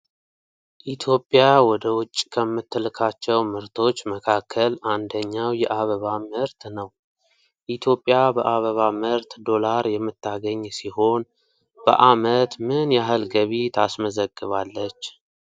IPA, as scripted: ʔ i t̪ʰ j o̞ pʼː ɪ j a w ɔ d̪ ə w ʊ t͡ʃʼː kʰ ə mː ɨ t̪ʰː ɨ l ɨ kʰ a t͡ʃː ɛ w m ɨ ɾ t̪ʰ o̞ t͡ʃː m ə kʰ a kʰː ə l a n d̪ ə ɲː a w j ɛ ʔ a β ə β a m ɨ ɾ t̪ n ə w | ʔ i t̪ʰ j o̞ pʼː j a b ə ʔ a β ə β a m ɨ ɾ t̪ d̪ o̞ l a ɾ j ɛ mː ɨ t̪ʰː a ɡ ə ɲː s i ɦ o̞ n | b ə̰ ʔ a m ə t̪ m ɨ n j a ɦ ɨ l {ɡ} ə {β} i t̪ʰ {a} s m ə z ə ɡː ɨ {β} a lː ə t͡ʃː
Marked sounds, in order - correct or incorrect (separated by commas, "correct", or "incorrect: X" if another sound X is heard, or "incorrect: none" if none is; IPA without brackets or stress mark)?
correct, correct, correct, correct